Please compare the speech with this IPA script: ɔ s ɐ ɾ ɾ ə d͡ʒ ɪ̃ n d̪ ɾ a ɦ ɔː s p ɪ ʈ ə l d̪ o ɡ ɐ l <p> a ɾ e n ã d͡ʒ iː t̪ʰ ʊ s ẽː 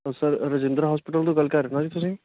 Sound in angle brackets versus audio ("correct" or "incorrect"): incorrect